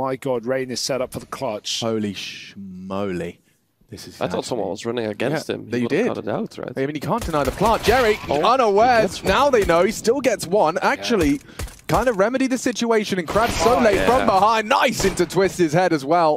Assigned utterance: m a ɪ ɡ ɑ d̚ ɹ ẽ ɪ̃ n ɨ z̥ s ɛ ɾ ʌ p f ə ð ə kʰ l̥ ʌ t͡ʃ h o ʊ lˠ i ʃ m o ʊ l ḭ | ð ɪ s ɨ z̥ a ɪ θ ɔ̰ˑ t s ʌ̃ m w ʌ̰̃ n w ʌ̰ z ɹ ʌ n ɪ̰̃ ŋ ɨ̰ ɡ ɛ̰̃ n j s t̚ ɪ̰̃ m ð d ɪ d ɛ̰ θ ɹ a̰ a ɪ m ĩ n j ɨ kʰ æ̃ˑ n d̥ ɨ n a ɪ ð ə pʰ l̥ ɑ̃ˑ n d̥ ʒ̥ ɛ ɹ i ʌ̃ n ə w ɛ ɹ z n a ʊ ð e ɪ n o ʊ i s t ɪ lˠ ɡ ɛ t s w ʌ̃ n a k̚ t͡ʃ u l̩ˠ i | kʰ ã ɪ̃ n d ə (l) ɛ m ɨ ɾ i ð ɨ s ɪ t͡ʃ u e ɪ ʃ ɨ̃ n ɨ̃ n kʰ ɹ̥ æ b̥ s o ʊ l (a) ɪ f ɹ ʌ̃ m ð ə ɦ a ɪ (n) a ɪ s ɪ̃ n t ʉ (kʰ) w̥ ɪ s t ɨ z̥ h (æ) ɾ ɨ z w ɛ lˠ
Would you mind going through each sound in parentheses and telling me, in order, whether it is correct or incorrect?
incorrect: ɹ, incorrect: e, correct, incorrect: tʰ, incorrect: ɛ

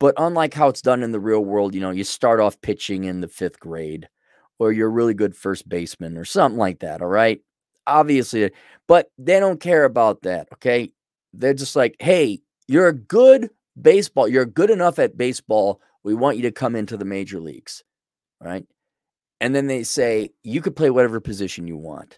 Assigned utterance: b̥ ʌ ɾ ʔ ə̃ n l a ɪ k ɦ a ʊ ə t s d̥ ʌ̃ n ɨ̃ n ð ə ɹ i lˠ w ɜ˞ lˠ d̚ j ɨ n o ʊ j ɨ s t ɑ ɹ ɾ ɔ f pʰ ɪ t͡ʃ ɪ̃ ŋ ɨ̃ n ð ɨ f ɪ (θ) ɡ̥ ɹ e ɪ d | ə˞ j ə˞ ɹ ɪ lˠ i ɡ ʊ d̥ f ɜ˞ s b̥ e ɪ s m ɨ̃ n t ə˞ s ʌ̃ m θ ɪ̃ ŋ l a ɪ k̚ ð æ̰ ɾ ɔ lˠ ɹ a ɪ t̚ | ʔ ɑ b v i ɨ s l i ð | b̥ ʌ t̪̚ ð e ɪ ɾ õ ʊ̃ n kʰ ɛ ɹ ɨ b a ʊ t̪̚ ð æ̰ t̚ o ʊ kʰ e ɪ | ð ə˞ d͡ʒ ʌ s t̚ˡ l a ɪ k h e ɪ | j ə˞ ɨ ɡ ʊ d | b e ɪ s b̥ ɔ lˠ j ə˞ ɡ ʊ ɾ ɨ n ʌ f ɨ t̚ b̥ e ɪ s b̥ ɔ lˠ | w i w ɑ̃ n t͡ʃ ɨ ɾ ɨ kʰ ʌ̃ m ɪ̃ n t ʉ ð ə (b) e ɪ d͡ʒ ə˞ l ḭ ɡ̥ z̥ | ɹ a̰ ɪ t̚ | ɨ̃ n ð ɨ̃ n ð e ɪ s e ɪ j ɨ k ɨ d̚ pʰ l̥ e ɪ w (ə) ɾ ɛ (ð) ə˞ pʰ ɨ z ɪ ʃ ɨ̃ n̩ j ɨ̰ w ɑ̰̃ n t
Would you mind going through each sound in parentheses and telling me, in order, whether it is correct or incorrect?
correct, incorrect: m, incorrect: ʌ, incorrect: v

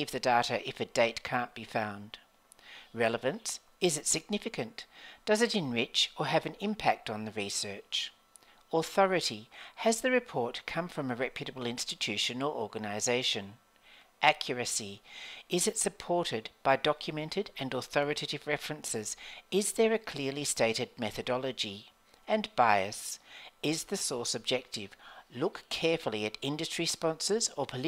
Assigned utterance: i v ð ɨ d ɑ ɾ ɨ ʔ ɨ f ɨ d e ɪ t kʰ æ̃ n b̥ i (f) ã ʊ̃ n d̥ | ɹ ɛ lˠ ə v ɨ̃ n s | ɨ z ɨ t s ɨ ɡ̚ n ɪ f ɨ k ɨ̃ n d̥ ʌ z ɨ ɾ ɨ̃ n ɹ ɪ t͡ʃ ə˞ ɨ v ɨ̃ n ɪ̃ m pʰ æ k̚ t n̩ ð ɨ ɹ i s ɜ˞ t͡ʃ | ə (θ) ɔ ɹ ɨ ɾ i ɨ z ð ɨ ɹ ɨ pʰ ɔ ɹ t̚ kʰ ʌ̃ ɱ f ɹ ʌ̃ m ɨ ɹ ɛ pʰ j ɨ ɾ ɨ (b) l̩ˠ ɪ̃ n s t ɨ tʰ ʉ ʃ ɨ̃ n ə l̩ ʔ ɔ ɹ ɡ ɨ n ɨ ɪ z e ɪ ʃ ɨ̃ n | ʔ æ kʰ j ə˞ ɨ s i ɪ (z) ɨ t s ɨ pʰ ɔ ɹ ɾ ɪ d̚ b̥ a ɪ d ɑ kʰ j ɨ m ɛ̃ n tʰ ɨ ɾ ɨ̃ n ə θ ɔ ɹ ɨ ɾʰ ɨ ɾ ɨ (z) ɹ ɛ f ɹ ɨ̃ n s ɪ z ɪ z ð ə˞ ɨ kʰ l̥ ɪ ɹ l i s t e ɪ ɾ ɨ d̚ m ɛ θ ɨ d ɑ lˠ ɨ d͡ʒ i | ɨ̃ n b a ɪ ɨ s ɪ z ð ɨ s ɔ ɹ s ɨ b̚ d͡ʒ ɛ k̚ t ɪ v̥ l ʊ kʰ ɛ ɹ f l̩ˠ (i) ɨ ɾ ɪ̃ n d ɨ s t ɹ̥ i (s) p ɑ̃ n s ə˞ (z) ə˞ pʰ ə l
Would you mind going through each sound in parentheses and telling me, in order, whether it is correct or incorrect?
correct, correct, correct, correct, incorrect: v, correct, correct, correct

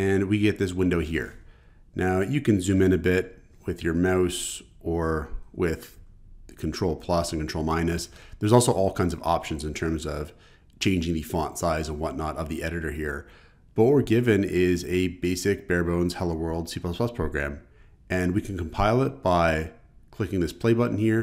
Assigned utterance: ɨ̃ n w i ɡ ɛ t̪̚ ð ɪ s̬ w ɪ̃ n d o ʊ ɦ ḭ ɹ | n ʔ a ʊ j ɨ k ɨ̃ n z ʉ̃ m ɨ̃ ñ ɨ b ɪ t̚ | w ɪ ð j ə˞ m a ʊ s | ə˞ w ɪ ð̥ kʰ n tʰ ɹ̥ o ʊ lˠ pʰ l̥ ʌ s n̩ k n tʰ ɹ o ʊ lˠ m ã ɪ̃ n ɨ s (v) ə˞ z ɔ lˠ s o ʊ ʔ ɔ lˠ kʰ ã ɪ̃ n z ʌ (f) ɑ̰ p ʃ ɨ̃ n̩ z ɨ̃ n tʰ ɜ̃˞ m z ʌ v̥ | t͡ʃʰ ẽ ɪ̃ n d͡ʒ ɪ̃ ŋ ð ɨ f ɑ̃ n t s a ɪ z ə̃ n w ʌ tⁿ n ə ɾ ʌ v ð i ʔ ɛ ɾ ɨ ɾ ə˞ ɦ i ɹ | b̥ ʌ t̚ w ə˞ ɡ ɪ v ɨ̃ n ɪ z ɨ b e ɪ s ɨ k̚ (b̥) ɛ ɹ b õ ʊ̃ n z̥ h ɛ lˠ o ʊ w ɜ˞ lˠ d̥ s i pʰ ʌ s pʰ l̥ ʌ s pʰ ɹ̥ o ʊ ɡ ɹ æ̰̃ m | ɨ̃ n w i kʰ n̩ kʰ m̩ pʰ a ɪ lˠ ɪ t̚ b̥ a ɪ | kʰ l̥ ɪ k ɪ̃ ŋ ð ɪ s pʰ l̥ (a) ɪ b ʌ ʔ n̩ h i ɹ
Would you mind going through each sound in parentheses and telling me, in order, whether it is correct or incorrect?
incorrect: ð, incorrect: v, correct, incorrect: e

